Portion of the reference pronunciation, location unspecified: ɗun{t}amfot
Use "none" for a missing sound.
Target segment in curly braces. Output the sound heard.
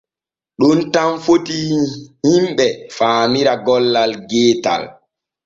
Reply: t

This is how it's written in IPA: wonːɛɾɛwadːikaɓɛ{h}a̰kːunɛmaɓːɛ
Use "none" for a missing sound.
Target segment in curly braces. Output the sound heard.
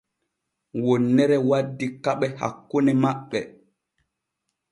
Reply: h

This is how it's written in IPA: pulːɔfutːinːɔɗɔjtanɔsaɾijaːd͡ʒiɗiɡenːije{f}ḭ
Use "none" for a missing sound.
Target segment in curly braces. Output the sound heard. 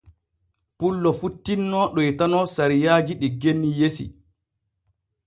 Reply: s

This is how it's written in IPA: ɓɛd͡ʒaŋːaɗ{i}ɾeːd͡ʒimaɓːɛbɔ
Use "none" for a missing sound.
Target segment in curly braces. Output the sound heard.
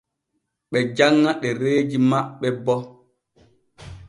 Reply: ɛ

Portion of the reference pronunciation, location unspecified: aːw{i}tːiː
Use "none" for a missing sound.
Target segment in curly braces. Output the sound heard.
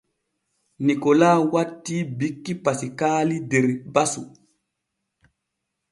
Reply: a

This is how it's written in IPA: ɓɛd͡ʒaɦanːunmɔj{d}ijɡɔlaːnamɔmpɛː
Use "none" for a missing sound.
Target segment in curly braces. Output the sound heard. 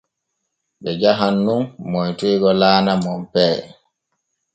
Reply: t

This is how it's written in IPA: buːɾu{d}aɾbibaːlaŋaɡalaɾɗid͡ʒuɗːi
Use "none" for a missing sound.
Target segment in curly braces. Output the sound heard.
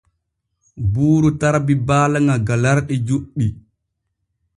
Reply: t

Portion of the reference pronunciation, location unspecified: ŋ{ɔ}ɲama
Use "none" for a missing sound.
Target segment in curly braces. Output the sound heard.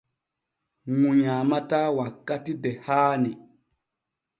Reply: u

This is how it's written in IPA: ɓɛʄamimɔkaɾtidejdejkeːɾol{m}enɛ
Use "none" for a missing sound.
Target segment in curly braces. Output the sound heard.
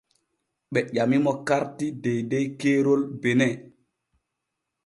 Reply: b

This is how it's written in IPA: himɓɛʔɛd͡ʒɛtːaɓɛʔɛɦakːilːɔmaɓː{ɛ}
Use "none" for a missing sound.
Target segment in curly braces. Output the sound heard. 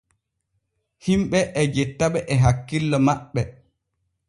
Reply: ɛ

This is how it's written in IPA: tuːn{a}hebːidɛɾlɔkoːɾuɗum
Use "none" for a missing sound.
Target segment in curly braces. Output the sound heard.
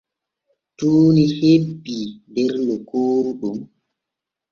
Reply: i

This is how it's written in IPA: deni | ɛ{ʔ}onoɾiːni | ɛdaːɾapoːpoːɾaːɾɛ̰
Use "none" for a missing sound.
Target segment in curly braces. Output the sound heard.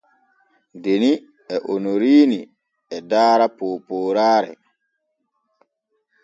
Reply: ʔ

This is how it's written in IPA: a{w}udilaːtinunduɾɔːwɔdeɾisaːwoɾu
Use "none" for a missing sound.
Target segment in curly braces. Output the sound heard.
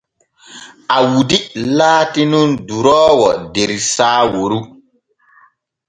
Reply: w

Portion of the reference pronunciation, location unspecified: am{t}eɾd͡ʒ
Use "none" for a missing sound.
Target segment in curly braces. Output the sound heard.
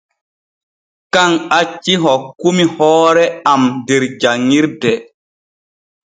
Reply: d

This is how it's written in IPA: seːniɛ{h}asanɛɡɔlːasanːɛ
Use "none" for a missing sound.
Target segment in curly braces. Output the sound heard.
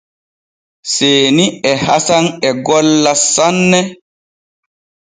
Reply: h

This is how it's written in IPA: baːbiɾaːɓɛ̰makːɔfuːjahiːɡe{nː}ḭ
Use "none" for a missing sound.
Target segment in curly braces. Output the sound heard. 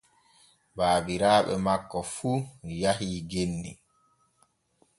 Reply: nː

